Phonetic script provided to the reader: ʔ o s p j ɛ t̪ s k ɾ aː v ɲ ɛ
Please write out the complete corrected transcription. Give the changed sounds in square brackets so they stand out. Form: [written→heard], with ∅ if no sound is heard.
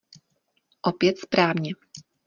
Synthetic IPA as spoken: ʔ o [s→∅] p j ɛ t̪ s [k→p] ɾ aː v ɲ ɛ